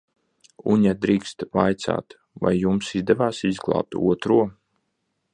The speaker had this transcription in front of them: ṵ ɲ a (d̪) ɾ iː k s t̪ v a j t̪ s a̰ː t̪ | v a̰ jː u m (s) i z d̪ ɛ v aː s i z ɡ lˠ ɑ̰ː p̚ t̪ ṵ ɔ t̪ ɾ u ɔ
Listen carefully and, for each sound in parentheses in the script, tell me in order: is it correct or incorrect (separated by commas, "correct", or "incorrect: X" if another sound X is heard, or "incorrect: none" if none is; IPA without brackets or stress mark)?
correct, correct